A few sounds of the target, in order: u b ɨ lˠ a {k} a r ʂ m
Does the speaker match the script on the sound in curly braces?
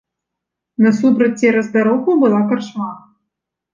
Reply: yes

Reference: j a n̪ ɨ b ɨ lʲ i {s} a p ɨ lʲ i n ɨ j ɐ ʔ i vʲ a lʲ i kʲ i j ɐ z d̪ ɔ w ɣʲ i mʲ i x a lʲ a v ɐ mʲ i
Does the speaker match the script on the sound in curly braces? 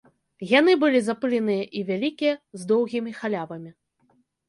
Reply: no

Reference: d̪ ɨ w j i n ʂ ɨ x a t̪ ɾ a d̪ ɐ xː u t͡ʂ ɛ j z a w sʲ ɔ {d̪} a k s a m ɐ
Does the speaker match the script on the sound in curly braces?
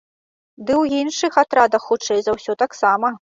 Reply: no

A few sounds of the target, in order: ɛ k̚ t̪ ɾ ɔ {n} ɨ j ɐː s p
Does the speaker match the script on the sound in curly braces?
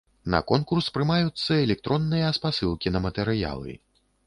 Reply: no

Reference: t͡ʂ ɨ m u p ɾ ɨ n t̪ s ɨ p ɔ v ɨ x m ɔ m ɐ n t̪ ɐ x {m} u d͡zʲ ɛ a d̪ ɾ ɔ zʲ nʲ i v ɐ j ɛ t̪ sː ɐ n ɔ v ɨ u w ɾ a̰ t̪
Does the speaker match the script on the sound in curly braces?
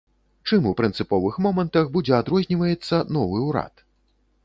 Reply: no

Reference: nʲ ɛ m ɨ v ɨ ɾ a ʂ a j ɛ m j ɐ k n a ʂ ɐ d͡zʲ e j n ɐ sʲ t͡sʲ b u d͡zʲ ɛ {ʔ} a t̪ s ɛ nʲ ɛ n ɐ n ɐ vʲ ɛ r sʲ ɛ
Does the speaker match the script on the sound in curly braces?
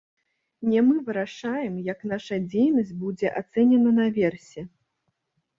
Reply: yes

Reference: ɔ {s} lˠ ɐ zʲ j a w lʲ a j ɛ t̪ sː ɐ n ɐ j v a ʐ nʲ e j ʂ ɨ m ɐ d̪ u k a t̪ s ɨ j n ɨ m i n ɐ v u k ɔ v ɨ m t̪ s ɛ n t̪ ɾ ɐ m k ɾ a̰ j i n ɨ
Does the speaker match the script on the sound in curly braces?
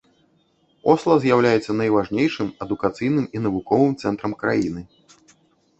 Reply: yes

